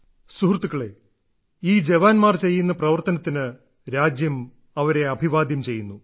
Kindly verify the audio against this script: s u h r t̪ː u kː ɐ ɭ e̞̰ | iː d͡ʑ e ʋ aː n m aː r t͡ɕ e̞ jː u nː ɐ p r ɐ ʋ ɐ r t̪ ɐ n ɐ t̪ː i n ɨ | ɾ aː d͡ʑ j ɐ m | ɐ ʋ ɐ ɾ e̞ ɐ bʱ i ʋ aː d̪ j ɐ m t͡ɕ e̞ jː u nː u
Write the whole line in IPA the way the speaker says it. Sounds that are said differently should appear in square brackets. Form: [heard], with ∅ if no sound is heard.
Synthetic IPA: s u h r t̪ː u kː ɐ ɭ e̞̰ | iː d͡ʑ e ʋ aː n m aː r t͡ɕ e̞ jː u nː ɐ p r ɐ ʋ ɐ r t̪ ɐ n ɐ t̪ː i n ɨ | ɾ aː d͡ʑ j ɐ m | ɐ ʋ ɐ ɾ e̞ ɐ bʱ i ʋ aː d̪ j ɐ m t͡ɕ e̞ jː u nː u